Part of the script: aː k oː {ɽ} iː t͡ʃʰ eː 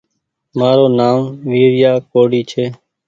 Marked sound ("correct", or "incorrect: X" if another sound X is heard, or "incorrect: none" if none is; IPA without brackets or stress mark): correct